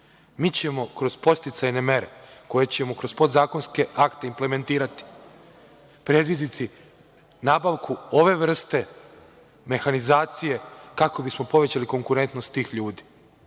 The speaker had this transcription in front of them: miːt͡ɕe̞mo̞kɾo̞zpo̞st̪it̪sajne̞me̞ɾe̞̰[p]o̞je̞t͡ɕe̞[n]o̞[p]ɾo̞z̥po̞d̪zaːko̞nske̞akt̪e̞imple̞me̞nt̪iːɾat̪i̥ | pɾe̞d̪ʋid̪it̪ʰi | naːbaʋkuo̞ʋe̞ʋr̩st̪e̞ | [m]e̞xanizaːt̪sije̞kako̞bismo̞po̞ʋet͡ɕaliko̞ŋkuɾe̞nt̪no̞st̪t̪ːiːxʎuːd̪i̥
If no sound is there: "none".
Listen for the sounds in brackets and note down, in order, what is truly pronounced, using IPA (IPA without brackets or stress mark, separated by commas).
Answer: k, m, k, m